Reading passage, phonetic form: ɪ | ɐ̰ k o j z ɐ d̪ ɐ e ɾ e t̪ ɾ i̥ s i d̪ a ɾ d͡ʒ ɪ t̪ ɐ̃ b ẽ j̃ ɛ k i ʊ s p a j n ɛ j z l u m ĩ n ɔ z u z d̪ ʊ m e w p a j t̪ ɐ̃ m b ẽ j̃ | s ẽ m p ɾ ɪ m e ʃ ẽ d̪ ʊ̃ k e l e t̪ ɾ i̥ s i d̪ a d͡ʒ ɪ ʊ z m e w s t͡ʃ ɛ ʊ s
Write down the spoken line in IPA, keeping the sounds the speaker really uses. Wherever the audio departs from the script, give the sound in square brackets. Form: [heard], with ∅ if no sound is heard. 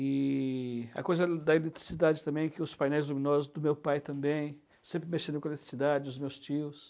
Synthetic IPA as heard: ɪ | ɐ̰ k o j z ɐ d̪ ɐ e [l] e t̪ ɾ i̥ s i d̪ a [∅] d͡ʒ ɪ t̪ ɐ̃ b ẽ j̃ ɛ k [ɪ] ʊ s p a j n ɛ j z l u m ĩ n ɔ z [ʊ] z d̪ ʊ m e w p a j t̪ ɐ̃ m b ẽ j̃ | s ẽ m p ɾ ɪ m e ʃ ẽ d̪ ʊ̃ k e l e t̪ ɾ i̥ s i d̪ a d͡ʒ ɪ ʊ z m e w s t͡ʃ [i] ʊ s